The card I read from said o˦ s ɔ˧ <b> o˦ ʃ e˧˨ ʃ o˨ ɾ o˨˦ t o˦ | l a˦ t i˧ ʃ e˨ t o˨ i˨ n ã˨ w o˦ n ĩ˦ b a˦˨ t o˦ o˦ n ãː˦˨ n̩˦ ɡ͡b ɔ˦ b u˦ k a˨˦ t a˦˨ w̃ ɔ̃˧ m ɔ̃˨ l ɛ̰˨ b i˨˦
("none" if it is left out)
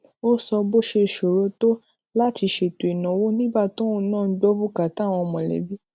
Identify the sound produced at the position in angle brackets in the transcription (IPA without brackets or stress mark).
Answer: b